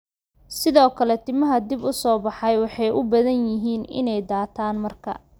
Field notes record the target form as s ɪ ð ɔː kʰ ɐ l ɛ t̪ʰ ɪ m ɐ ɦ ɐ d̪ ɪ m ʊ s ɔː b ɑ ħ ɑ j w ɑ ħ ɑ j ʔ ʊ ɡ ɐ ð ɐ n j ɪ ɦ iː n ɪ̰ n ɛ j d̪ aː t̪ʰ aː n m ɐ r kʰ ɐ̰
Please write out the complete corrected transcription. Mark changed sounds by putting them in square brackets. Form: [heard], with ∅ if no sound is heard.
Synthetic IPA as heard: s ɪ ð ɔː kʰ ɐ l ɛ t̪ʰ ɪ m ɐ ɦ ɐ d̪ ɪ [b] ʊ s ɔː b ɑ ħ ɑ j w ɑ ħ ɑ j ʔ ʊ [b] ɐ ð ɐ n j ɪ ɦ iː n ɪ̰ n ɛ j d̪ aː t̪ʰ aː n m ɐ r kʰ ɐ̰

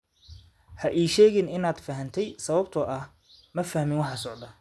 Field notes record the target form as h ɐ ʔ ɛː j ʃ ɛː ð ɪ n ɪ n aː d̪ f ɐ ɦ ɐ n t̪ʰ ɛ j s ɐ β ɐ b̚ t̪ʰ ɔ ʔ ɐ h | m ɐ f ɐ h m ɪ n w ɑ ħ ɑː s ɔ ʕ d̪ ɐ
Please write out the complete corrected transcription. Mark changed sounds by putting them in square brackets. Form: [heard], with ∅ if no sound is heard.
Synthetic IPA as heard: h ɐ ʔ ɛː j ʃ ɛː [ɣ] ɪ n ɪ n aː d̪ f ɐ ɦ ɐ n t̪ʰ ɛ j s ɐ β ɐ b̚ t̪ʰ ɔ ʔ ɐ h | m ɐ f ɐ h m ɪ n w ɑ ħ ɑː s ɔ ʕ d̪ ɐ

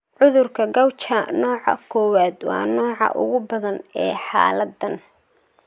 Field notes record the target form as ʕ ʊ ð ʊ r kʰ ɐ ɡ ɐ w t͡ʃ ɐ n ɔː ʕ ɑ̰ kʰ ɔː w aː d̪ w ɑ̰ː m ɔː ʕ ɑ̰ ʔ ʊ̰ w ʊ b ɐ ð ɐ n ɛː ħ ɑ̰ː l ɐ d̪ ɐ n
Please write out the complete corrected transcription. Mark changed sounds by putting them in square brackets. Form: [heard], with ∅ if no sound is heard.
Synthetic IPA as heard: ʕ ʊ ð ʊ r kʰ ɐ ɡ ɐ w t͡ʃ ɐ n ɔː ʕ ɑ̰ kʰ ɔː w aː d̪ w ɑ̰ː [n] ɔː ʕ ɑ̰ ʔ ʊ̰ [ɣ] ʊ b ɐ ð ɐ n ɛː ħ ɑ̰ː l ɐ d̪ ɐ n

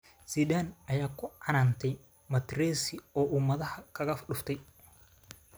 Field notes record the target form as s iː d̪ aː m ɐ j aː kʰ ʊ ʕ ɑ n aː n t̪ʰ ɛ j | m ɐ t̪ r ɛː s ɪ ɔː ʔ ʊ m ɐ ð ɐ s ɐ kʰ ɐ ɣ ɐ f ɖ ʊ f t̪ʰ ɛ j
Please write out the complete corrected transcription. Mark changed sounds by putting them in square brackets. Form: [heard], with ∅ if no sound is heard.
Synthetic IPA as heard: s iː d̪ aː [n] ɐ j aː kʰ ʊ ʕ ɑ n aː n t̪ʰ ɛ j | m ɐ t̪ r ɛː s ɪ ɔː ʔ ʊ m ɐ ð ɐ [h] ɐ kʰ ɐ ɣ ɐ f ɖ ʊ f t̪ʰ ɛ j

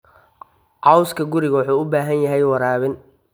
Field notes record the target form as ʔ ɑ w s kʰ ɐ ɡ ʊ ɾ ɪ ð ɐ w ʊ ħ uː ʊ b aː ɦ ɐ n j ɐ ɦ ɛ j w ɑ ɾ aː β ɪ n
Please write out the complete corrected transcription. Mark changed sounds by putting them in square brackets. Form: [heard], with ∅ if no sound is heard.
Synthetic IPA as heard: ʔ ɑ w s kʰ ɐ ɡ ʊ ɾ ɪ [ɣ] ɐ w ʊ ħ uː ʊ b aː ɦ ɐ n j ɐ ɦ ɛ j w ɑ ɾ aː β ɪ n

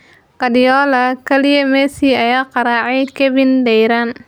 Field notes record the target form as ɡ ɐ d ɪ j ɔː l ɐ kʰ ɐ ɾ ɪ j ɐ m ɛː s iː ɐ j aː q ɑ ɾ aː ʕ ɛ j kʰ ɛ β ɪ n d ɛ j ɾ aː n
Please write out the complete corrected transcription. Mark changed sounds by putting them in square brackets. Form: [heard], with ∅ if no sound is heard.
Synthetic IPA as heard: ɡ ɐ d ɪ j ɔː l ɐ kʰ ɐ [l] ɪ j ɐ m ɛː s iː ɐ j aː q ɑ ɾ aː ʕ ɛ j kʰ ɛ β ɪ n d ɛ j ɾ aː n

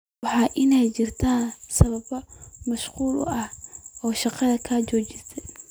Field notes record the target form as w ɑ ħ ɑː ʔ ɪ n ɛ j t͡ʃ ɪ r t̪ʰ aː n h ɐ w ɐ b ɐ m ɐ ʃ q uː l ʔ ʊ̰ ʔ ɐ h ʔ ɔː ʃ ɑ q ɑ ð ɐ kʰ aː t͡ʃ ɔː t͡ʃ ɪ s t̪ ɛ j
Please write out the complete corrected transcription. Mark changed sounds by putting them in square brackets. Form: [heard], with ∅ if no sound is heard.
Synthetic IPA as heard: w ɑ ħ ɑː ʔ ɪ n ɛ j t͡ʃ ɪ r t̪ʰ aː n [s] ɐ [β] ɐ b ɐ m ɐ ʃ q uː l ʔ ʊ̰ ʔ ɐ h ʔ ɔː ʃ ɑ q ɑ ð ɐ kʰ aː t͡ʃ ɔː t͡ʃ ɪ s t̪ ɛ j

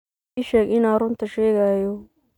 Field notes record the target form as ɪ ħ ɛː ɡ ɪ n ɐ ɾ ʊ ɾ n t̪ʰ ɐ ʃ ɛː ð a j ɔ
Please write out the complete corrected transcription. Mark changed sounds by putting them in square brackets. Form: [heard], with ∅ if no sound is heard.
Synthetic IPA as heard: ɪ [ʃ] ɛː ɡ ɪ n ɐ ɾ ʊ [∅] n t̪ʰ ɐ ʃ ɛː [ɣ] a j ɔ

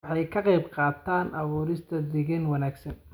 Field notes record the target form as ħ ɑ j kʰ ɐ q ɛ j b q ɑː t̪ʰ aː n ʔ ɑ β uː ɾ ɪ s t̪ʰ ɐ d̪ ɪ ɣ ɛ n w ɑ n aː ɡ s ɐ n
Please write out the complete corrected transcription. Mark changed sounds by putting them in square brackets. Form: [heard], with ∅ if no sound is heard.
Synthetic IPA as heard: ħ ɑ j kʰ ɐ q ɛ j b q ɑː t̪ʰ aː n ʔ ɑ β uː ɾ ɪ s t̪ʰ ɐ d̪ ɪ ɣ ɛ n w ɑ n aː ɡ s ɐ n

